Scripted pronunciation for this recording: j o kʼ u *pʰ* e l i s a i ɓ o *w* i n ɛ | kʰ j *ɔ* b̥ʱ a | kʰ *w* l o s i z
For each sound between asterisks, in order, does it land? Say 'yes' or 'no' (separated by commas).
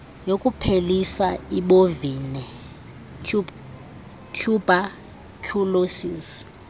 yes, no, no, no